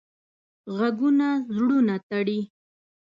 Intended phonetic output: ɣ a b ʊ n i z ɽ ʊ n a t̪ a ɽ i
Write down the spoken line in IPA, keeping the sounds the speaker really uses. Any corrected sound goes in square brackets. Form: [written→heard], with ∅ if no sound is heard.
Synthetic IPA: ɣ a [b→ɡ] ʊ n [i→a] z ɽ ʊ n a t̪ a ɽ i